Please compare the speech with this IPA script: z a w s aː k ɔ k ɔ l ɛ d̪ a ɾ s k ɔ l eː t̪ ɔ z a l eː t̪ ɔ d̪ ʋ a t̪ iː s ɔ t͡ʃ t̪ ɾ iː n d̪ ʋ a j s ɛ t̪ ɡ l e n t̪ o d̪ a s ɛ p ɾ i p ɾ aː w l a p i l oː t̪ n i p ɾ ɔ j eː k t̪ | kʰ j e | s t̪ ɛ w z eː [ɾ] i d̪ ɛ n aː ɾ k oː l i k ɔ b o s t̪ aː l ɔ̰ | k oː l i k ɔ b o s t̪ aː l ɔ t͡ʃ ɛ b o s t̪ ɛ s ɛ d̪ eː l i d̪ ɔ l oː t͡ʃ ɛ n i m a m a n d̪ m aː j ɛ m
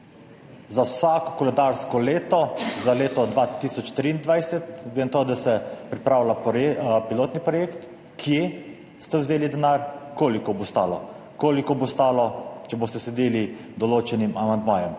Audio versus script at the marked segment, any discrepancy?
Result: yes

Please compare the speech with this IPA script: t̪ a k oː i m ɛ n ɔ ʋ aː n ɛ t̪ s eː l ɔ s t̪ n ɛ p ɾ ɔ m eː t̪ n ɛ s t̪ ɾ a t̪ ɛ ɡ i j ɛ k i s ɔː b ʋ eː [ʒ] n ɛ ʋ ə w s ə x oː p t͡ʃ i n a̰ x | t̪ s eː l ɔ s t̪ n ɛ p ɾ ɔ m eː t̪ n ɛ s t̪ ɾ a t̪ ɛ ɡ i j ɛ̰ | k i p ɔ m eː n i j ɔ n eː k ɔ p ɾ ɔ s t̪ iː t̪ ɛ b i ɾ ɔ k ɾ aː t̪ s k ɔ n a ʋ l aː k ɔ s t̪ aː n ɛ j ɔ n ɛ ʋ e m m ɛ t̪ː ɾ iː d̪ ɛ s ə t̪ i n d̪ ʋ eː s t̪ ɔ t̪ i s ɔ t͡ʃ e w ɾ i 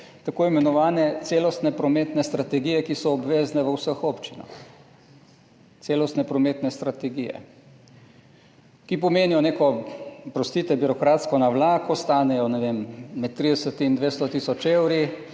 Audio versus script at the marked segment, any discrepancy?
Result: yes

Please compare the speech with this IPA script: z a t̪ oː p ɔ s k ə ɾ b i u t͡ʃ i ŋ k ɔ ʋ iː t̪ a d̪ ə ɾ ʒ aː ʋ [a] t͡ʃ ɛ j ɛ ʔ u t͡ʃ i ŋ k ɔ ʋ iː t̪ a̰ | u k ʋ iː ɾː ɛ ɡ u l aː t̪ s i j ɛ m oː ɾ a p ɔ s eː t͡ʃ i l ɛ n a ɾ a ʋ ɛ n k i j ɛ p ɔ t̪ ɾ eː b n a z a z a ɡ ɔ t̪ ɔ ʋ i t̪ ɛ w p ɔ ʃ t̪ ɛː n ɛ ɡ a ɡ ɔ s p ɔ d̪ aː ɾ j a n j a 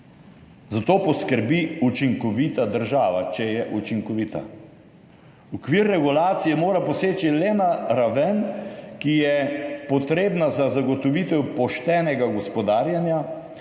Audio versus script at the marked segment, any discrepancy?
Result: no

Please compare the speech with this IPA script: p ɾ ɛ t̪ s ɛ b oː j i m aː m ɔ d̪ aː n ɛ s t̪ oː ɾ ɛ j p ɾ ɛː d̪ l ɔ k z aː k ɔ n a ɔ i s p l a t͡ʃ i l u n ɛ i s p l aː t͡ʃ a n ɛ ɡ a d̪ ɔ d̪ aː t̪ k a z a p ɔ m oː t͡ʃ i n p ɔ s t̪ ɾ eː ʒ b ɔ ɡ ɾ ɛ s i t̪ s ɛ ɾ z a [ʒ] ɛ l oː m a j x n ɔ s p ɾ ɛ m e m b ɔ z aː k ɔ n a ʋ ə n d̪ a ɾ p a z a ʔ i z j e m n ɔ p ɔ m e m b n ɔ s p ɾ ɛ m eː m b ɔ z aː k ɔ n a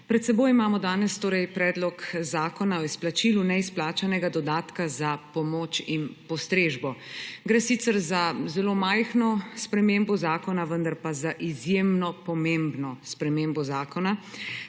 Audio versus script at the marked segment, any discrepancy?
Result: yes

